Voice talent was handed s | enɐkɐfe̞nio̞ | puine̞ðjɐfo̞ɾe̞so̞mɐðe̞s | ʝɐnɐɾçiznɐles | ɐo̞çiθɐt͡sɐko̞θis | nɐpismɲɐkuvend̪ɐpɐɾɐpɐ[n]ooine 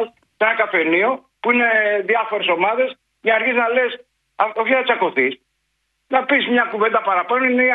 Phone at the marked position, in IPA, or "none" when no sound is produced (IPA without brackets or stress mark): n